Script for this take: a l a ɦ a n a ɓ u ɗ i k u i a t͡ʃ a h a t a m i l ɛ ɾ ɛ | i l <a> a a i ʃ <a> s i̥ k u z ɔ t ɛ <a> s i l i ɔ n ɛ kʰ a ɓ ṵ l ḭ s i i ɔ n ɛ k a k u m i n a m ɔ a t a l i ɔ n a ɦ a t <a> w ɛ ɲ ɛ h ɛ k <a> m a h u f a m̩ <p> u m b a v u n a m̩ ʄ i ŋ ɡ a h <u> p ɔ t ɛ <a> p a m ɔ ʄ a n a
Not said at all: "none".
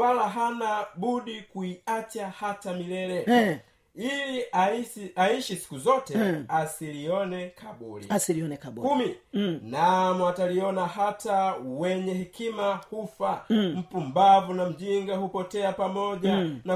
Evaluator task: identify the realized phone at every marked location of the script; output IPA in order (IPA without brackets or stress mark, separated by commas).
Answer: i, i, a, a, i, p, u, a